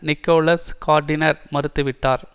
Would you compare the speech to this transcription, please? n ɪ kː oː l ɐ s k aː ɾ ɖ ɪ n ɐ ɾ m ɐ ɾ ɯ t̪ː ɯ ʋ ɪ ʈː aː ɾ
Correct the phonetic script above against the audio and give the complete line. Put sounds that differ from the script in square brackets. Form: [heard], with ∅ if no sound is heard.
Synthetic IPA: n ɪ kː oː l ɐ s k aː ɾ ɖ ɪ n ɐ ɾ m ɐ ɾ ɯ t̪ː ɯ ʋ ɪ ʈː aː ɾ